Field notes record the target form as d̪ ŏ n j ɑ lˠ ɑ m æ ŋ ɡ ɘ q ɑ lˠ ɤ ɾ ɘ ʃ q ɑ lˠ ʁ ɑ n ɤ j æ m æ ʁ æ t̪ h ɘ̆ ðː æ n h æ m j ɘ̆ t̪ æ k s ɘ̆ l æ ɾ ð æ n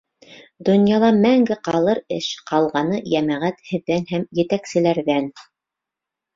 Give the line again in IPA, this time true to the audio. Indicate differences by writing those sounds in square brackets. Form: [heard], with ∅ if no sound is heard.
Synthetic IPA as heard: d̪ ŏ n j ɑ lˠ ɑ m æ ŋ ɡ ɘ q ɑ lˠ ɤ ɾ ɘ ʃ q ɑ lˠ ʁ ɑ n ɤ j æ m æ ʁ æ t̪ h ɘ̆ ðː æ n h æ m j ɘ̆ t̪ æ k s ɘ̆ l æ ɾ ð æ n